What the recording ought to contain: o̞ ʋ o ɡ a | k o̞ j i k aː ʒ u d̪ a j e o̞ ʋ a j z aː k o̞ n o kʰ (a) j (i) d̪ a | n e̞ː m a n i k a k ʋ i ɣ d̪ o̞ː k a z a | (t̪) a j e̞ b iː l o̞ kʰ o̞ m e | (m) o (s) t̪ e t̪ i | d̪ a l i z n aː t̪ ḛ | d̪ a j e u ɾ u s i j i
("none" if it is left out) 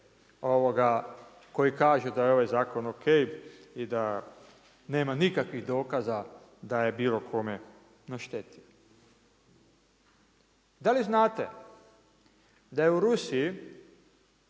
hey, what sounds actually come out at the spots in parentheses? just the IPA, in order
e, i, d̪, n, ʃ

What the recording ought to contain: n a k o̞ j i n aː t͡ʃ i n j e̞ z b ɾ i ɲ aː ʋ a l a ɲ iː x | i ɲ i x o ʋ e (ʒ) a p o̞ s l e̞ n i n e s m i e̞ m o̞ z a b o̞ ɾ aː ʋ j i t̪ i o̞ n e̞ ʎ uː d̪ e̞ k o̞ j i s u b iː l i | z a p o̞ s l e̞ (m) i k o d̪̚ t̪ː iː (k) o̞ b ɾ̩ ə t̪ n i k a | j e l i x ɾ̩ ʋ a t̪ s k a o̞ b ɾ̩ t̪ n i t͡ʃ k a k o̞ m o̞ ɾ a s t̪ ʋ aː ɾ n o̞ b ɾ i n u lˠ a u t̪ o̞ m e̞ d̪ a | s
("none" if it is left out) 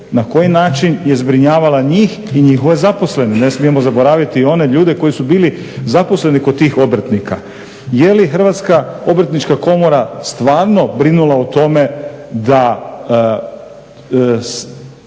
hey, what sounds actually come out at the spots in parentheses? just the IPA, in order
z, n, x

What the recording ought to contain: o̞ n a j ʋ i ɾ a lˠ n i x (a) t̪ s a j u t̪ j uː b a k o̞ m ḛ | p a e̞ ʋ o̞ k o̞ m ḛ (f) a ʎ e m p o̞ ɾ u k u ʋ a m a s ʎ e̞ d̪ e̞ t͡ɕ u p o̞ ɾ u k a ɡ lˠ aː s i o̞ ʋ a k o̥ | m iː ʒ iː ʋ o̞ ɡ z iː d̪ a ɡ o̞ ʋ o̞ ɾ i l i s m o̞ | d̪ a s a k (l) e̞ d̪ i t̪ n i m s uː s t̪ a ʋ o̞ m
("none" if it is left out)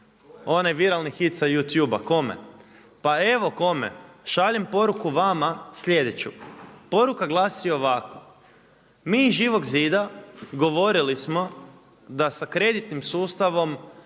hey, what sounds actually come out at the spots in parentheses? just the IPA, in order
i, ʃ, ɾ

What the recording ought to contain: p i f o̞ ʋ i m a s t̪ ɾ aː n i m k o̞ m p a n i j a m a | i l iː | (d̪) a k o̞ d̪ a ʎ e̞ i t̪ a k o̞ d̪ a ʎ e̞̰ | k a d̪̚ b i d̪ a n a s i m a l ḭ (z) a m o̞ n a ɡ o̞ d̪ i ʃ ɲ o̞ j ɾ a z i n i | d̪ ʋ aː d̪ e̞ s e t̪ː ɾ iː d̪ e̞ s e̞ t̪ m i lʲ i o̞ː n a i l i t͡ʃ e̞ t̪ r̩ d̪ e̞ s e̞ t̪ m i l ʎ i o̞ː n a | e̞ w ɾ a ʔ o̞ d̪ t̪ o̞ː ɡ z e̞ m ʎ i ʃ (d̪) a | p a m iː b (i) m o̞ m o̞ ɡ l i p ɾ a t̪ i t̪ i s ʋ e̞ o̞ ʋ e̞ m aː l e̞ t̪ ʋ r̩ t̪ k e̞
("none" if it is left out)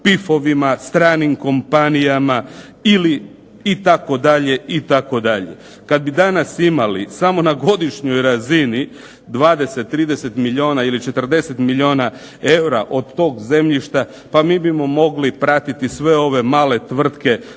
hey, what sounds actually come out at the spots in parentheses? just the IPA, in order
t̪, s, t̪, i

